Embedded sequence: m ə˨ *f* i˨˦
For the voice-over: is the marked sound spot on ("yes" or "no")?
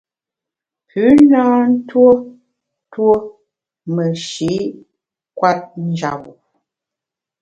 no